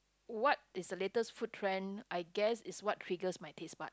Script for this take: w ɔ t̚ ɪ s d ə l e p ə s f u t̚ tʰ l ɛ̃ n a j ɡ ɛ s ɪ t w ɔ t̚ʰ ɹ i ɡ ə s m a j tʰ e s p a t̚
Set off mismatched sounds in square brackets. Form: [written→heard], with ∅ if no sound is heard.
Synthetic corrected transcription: w ɔ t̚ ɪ s d ə l e [p→t] ə s f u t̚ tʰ [l→ɹ] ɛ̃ n a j ɡ ɛ s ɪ [t→s] w ɔ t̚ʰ ɹ i ɡ ə s m a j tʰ e s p a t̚

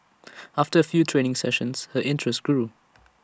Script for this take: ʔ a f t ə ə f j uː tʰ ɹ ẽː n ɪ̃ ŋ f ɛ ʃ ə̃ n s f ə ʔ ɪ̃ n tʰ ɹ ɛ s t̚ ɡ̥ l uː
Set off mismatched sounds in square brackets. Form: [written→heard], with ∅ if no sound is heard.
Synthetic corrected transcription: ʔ a f t ə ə f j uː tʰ ɹ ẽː n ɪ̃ ŋ [f→s] ɛ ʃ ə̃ n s [f→h] ə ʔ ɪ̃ n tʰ ɹ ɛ s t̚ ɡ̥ [l→ɹ] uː

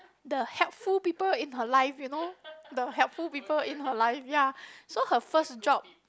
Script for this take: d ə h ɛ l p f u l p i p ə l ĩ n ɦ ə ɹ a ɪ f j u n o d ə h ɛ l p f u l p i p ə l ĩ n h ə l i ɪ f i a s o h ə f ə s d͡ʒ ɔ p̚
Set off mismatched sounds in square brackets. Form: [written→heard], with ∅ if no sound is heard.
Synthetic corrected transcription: d ə h ɛ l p f u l p i p ə l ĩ n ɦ ə [ɹ→l] a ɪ f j u n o d ə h ɛ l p f u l p i p ə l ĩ n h ə l [i→a] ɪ f [i→j] a s o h ə f ə s d͡ʒ ɔ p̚

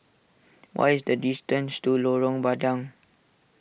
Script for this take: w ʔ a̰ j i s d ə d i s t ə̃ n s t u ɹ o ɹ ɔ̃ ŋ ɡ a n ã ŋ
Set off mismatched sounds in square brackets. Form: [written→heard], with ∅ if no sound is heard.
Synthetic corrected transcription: w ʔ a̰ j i s d ə d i s t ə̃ n s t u [ɹ→l] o ɹ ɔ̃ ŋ [ɡ→b] a [n→d] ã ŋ

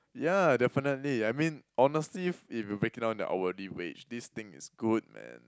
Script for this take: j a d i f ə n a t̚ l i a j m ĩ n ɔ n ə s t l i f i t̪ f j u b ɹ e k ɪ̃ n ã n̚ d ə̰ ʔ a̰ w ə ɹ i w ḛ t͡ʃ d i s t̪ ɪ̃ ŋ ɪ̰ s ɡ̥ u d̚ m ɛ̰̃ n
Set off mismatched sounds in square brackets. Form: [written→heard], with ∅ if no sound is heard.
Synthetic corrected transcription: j a d [i→ɛ] f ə n [a→ə] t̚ l i a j m ĩ n ɔ n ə s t l i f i [t̪→∅] f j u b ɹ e k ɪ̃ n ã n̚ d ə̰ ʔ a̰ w ə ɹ i w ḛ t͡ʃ d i s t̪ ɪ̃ ŋ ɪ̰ s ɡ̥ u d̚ m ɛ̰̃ n

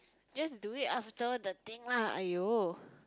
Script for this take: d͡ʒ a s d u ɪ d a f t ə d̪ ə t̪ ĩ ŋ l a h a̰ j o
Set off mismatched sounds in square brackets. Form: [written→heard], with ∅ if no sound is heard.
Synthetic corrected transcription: d͡ʒ a s d u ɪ [d→t] a f t ə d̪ ə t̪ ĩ ŋ l a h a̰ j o

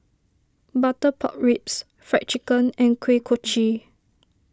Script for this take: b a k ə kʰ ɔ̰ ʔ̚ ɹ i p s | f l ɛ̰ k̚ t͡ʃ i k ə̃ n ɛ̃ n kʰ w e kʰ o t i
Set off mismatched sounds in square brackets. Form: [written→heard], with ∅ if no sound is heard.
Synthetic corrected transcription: b a [k→t] ə [kʰ→pʰ] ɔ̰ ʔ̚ ɹ i p s | f [l→ɹ] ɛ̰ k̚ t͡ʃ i k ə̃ n ɛ̃ n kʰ w e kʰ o [t→t͡ʃ] i

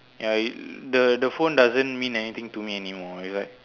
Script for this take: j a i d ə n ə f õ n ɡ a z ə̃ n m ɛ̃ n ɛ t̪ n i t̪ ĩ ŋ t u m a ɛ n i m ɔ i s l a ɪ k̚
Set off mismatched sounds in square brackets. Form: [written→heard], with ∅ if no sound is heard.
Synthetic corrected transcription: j a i d ə [n→d] ə f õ n [ɡ→d] a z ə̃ n m [ɛ̃→ĩ] n ɛ [t̪→∅] n i t̪ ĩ ŋ t u m [a→i] ɛ n i m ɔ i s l a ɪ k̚

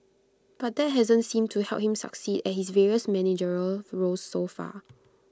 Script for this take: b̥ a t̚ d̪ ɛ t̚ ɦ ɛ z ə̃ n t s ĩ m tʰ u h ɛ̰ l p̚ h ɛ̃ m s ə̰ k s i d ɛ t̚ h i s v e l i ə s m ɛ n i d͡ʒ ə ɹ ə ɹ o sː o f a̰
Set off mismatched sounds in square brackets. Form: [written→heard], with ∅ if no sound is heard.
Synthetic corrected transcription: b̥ a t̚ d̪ ɛ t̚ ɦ ɛ z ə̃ n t s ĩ m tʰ u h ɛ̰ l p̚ h [ɛ̃→ĩ] m s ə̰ k s i d ɛ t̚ h i s v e [l→ɹ] i ə s m ɛ n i d͡ʒ ə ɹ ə ɹ o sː o f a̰

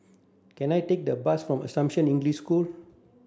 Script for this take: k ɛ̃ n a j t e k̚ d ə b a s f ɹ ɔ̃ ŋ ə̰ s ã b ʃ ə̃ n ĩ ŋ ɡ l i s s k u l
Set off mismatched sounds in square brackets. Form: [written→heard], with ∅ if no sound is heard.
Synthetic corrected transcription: k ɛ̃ n a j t e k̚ d ə b a s f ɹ ɔ̃ [ŋ→m] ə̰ s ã [b→m] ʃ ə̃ n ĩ ŋ ɡ l i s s k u l

